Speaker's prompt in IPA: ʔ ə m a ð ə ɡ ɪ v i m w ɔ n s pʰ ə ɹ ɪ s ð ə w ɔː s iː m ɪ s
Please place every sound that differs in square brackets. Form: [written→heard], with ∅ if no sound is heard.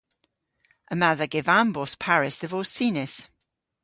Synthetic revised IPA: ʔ ə m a ð ə ɡ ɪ v [i→a] m [w→b] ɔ [n→∅] s pʰ [ə→a] ɹ ɪ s ð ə [w→v] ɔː s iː [m→n] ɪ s